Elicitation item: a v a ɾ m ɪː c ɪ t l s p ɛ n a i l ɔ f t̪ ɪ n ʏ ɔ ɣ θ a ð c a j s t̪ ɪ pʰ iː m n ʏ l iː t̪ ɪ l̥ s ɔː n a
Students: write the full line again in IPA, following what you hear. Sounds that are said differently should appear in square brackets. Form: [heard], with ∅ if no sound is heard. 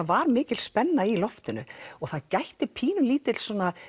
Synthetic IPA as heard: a v a ɾ m ɪː c ɪ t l s p ɛ [nː] a i l ɔ f t̪ ɪ n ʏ ɔ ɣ θ a ð c a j [h] t̪ ɪ pʰ iː [∅] n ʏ l iː t̪ ɪ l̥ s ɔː n a